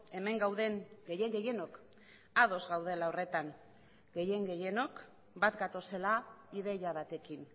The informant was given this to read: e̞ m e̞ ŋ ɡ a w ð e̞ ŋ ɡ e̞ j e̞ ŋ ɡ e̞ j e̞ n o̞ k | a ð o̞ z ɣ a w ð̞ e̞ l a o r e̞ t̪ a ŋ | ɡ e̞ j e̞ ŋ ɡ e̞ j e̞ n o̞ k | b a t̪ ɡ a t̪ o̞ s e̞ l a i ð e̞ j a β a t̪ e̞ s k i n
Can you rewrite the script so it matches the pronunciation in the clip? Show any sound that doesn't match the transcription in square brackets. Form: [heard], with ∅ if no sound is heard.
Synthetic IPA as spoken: e̞ m e̞ ŋ ɡ a w ð e̞ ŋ ɡ e̞ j e̞ ŋ ɡ e̞ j e̞ n o̞ k | a ð o̞ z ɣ a w ð̞ e̞ l a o r e̞ t̪ a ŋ | ɡ e̞ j e̞ ŋ ɡ e̞ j e̞ n o̞ k | b a t̪ ɡ a t̪ o̞ s e̞ l a i ð e̞ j a β a t̪ e̞ [∅] k i n

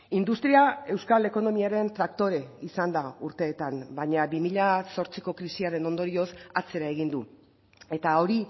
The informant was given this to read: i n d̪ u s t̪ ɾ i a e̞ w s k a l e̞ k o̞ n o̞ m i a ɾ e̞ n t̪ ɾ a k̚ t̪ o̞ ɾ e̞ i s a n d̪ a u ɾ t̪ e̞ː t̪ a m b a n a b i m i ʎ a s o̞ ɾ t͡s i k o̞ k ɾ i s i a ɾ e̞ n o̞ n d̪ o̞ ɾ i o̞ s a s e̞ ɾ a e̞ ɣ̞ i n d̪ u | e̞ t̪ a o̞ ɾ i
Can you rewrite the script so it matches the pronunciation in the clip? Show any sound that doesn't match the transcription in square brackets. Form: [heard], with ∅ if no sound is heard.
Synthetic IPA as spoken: i n d̪ u s t̪ ɾ i a e̞ w s k a l e̞ k o̞ n o̞ m i a ɾ e̞ n t̪ ɾ a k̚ t̪ o̞ ɾ e̞ i s a n d̪ a u ɾ t̪ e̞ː t̪ a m b a [ɲ] a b i m i ʎ a s o̞ ɾ t͡s i k o̞ k ɾ i s i a ɾ e̞ n o̞ n d̪ o̞ ɾ i o̞ s a [t͡s] e̞ ɾ a e̞ ɣ̞ i n d̪ u | e̞ t̪ a o̞ ɾ i

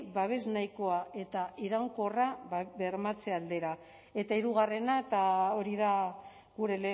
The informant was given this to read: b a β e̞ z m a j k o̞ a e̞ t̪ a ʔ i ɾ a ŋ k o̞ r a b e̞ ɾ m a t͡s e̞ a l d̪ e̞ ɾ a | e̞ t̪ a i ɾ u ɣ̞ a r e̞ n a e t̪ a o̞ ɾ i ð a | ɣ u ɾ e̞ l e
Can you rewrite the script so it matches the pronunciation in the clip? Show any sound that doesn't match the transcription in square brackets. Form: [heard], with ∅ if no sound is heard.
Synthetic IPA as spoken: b a β e̞ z [n] a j k o̞ a e̞ t̪ a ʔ i ɾ a ŋ k o̞ r a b e̞ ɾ m a t͡s e̞ a l d̪ e̞ ɾ a | e̞ t̪ a i ɾ u ɣ̞ a r e̞ n a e t̪ a o̞ ɾ i ð a | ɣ u ɾ e̞ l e

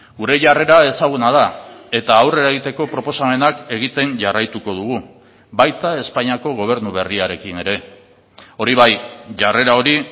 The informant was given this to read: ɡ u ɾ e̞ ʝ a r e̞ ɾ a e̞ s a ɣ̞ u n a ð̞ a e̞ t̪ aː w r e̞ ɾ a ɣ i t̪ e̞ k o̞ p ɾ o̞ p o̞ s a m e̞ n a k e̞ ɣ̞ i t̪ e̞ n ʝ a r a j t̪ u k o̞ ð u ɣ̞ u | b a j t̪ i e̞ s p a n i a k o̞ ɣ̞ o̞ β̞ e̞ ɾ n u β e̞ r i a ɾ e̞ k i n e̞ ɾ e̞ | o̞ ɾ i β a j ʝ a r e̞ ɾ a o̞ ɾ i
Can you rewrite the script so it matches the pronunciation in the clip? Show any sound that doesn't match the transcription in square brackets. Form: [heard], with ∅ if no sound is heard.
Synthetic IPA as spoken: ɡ u ɾ e̞ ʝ a r e̞ ɾ a e̞ s a ɣ̞ u n a ð̞ a e̞ t̪ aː w r e̞ ɾ a ɣ i t̪ e̞ k o̞ p ɾ o̞ p o̞ s a m e̞ n a k e̞ ɣ̞ i t̪ e̞ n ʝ a r a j t̪ u k o̞ ð u ɣ̞ u | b a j t̪ [a] e̞ s p a [ɲ] i a k o̞ ɣ̞ o̞ β̞ e̞ ɾ n u β e̞ r i a ɾ e̞ k i n e̞ ɾ e̞ | o̞ ɾ i β a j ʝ a r e̞ ɾ a o̞ ɾ i

